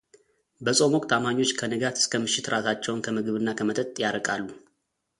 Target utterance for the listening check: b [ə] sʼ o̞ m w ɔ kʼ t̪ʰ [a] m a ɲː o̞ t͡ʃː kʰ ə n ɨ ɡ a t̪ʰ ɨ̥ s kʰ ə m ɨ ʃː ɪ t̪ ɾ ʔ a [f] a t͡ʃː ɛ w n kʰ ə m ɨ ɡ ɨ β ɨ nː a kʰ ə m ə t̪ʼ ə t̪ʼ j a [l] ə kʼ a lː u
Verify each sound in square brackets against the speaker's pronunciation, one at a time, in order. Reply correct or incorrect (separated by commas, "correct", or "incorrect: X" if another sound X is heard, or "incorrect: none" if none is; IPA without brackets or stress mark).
correct, correct, incorrect: s, incorrect: ɾ